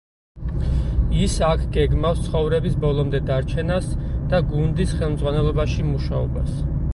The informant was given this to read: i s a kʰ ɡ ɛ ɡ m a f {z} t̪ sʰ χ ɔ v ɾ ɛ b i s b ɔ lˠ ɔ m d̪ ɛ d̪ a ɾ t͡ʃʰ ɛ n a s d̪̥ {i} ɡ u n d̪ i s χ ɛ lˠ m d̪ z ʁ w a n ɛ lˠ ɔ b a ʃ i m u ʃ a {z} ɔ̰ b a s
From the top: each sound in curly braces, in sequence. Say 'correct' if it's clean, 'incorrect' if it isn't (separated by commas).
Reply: incorrect, incorrect, incorrect